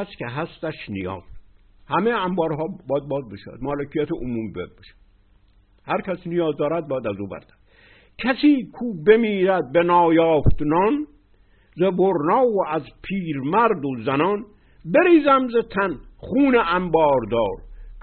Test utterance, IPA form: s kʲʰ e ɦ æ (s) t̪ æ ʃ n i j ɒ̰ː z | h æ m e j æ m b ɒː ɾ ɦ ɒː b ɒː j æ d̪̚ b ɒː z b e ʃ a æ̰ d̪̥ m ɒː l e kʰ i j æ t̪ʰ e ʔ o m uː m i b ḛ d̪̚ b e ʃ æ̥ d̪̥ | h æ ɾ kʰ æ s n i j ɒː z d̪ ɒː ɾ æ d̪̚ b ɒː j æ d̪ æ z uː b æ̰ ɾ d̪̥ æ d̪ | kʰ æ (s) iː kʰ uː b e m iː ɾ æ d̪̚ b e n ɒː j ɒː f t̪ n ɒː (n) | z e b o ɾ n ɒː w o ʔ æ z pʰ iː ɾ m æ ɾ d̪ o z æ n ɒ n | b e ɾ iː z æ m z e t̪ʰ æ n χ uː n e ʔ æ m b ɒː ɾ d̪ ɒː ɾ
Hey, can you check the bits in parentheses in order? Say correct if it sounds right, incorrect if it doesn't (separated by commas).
correct, correct, correct